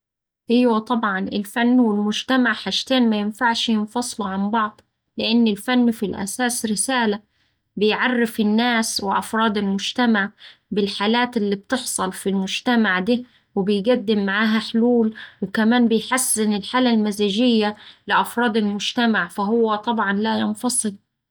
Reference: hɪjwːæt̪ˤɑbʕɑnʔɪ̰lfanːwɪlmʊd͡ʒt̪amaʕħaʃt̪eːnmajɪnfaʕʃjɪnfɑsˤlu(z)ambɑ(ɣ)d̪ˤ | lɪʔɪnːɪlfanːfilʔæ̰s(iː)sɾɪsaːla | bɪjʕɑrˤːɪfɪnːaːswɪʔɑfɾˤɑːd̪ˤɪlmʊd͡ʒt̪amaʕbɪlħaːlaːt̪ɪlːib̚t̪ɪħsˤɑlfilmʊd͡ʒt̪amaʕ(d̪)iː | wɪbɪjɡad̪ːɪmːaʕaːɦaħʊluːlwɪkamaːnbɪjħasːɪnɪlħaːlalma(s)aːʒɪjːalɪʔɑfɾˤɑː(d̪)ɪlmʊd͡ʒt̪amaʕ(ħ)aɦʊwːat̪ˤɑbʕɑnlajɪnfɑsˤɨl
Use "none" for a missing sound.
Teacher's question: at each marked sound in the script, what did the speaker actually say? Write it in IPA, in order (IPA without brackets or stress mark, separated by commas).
ʕ, ʕ, aː, d̪, z, d̪, f